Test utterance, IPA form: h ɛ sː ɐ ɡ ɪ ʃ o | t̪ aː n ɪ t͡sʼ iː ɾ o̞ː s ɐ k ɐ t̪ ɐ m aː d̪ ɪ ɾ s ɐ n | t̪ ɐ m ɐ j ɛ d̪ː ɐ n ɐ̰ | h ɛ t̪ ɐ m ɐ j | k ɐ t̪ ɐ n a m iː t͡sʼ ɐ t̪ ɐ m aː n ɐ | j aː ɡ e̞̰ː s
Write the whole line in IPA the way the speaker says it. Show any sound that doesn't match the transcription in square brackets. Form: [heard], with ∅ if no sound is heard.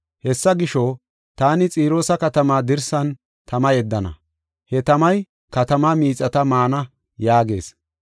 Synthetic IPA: h ɛ sː ɐ ɡ ɪ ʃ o | t̪ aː n ɪ t͡sʼ iː ɾ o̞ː s ɐ k ɐ t̪ ɐ m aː d̪ ɪ ɾ s ɐ n | t̪ ɐ m ɐ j ɛ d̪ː ɐ n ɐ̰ | h ɛ t̪ ɐ m ɐ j | k ɐ t̪ ɐ [m] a m iː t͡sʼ ɐ t̪ ɐ m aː n ɐ | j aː ɡ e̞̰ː s